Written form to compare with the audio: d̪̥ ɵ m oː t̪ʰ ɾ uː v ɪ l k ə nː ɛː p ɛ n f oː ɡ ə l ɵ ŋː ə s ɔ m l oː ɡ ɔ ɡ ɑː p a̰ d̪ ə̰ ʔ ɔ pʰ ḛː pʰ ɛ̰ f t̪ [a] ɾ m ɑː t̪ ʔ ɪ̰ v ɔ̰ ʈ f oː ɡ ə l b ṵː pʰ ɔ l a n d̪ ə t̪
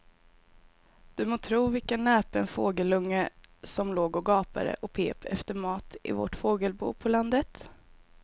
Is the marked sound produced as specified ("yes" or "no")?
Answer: no